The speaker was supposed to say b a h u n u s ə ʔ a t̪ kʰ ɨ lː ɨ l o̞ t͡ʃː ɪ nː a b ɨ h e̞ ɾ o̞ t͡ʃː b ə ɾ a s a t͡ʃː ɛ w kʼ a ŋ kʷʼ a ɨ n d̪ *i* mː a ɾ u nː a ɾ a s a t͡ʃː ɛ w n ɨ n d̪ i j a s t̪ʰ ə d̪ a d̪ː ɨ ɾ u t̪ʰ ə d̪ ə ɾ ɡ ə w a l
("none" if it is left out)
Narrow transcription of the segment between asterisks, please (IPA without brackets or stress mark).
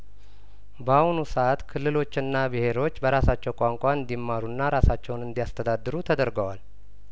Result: i